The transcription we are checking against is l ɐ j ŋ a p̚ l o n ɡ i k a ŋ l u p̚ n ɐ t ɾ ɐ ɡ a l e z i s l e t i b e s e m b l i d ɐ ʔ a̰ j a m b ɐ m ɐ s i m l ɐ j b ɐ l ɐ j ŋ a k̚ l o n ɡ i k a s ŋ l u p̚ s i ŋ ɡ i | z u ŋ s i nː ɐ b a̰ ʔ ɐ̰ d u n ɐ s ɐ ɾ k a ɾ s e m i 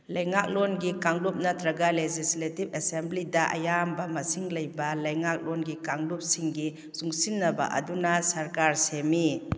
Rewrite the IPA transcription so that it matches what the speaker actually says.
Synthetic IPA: l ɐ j ŋ a k̚ l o n ɡ i k a ŋ l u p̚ n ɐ t ɾ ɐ ɡ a l e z i s l e t i b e s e m b l i d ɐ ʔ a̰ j a m b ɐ m ɐ s i ŋ l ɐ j b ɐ l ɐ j ŋ a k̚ l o n ɡ i k a ŋ l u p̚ s i ŋ ɡ i | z u ŋ s i nː ɐ b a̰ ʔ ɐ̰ d u n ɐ s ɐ ɾ k a ɾ s e m i